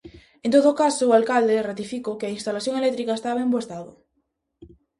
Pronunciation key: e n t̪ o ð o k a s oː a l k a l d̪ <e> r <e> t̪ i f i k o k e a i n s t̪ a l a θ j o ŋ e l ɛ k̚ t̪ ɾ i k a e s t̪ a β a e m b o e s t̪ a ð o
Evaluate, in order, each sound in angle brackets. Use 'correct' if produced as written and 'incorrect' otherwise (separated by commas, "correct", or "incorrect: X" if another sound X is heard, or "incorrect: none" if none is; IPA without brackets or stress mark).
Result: correct, incorrect: a